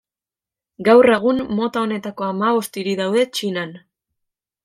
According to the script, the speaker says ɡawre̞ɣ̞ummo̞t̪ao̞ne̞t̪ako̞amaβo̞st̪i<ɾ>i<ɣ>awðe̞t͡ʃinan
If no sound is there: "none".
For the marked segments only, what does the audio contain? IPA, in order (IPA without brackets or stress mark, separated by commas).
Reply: ɾ, ð